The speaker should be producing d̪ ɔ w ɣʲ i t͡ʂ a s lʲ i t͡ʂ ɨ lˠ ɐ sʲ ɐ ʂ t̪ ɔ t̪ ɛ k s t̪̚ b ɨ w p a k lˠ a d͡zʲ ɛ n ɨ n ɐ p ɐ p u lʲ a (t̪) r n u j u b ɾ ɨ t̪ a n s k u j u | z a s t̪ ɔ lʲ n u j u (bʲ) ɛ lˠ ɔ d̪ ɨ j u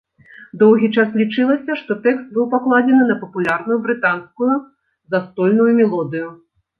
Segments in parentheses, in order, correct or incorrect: incorrect: none, incorrect: mʲ

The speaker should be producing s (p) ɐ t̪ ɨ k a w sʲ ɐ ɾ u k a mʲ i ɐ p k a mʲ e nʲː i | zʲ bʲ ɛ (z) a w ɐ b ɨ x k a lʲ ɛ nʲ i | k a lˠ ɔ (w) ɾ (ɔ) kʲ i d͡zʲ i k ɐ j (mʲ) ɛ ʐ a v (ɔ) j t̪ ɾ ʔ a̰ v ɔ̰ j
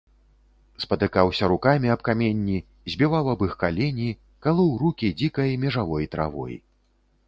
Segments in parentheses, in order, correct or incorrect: correct, incorrect: v, correct, incorrect: u, correct, correct

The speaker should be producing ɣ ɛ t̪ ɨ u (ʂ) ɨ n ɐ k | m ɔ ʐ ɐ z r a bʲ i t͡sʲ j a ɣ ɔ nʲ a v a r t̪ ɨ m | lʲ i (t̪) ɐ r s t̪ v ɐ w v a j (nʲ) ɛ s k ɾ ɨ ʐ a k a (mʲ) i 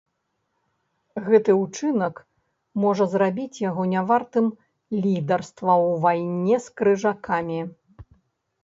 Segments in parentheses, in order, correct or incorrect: incorrect: t͡ʂ, incorrect: d̪, correct, correct

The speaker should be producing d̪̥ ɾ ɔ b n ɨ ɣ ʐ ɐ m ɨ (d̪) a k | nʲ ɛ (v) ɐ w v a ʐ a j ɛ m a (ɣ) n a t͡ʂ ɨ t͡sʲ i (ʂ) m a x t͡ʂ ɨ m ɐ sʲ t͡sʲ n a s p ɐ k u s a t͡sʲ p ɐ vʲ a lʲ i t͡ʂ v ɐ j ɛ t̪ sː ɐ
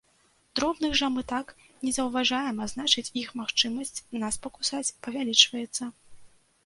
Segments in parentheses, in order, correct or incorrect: incorrect: t̪, incorrect: z, incorrect: z, incorrect: x

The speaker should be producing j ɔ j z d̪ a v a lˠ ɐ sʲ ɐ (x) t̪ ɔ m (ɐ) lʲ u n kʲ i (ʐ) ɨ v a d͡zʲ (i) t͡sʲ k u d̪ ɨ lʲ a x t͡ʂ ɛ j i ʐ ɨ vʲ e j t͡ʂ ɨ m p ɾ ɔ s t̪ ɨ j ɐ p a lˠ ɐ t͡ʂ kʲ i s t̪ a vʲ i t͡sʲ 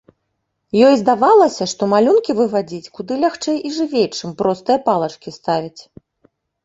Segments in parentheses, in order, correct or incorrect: incorrect: ʂ, incorrect: a, incorrect: v, correct

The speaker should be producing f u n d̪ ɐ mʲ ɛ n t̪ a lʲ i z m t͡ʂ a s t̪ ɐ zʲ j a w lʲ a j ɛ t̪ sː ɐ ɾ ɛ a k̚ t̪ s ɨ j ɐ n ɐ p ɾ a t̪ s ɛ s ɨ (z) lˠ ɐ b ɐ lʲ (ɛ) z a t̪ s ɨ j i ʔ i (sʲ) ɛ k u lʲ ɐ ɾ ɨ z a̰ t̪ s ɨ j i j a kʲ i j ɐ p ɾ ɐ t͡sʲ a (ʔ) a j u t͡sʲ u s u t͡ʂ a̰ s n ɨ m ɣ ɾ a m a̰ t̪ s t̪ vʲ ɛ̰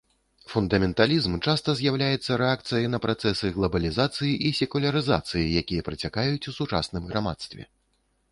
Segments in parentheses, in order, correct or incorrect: incorrect: ɣ, incorrect: i, correct, incorrect: k

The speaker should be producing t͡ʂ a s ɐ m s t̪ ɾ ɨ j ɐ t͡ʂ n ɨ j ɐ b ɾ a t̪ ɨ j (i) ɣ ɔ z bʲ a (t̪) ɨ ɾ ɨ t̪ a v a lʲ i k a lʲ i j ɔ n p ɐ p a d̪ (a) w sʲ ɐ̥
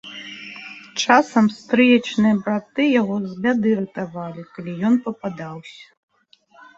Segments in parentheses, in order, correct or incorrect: incorrect: a, incorrect: d̪, correct

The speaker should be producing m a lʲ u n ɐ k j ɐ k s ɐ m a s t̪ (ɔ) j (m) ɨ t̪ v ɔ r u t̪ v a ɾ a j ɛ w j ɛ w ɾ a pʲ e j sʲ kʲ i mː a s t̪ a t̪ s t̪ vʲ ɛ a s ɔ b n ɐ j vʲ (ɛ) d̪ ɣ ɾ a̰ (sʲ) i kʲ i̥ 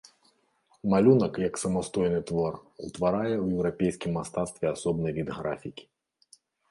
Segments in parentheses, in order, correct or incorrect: correct, incorrect: n, incorrect: i, incorrect: fʲ

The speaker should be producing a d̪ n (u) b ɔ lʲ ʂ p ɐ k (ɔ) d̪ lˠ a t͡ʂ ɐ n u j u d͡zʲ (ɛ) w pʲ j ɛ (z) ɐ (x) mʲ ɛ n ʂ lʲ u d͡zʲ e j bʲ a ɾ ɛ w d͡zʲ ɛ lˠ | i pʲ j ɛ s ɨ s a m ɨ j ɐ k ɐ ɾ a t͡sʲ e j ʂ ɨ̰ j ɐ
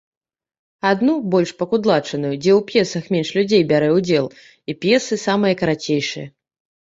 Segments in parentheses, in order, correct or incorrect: correct, incorrect: u, correct, incorrect: s, correct

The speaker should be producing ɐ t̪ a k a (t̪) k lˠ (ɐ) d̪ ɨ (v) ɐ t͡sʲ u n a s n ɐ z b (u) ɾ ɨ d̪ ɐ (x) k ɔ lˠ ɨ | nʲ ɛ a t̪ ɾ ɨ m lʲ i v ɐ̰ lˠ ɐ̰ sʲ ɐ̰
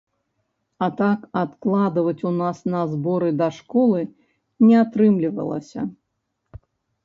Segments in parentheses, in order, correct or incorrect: correct, incorrect: a, correct, incorrect: ɔ, incorrect: ʂ

